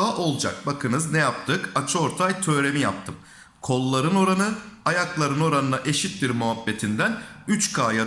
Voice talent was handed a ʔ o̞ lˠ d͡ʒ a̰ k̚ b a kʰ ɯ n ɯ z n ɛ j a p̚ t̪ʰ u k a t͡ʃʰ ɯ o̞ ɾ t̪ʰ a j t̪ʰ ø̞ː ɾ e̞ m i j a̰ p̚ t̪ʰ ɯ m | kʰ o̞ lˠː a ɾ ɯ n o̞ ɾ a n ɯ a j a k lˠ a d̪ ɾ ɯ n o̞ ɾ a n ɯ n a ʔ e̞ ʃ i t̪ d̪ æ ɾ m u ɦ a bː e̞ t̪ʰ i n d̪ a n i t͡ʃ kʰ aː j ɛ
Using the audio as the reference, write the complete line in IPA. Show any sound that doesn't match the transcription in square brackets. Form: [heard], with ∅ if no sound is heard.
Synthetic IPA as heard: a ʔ o̞ lˠ d͡ʒ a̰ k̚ b a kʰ ɯ n ɯ z n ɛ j a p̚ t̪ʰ [ɯ] k a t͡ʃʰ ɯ o̞ ɾ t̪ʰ a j t̪ʰ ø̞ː ɾ e̞ m i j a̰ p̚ t̪ʰ ɯ m | kʰ o̞ lˠː a ɾ ɯ n o̞ ɾ a n ɯ a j a k lˠ a [∅] ɾ ɯ n o̞ ɾ a n ɯ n a ʔ e̞ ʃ i t̪ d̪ [i] ɾ m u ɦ a bː e̞ t̪ʰ i n d̪ [æ] n [y] t͡ʃ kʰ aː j [a]